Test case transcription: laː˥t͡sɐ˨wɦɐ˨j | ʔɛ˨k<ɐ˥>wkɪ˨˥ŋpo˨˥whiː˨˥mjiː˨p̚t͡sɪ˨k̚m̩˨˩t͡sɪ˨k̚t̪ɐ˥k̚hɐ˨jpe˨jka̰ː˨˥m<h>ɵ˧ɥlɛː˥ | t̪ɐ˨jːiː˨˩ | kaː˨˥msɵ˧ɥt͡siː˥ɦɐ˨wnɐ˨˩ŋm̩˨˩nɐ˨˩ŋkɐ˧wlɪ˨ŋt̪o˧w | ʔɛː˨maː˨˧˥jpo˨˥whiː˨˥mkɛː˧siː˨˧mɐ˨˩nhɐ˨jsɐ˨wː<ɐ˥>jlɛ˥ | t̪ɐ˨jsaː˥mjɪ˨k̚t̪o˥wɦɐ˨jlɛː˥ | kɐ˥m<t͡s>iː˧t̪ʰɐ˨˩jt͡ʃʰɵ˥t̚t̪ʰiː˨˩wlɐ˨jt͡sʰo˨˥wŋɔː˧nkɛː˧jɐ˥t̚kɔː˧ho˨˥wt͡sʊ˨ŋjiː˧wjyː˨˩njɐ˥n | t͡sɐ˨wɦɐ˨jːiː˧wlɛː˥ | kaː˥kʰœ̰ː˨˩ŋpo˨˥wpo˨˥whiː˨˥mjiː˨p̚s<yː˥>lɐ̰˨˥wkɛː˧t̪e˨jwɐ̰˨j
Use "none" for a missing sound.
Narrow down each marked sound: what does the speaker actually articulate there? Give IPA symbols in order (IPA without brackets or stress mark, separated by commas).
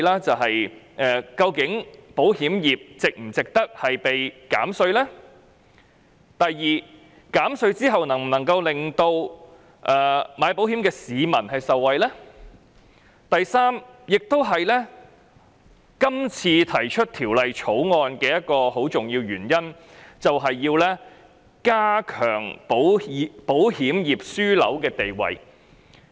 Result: ɐ˧, s, ɐ˨, t͡sʰ, yː˥